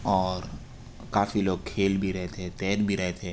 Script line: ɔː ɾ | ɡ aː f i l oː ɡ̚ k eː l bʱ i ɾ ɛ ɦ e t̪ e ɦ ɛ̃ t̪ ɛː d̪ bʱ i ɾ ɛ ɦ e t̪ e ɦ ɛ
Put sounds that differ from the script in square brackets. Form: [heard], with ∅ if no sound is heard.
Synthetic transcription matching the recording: ɔː ɾ | [k] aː f i l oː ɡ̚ [kʰ] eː l bʱ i ɾ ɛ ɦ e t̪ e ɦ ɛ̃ t̪ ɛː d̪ bʱ i ɾ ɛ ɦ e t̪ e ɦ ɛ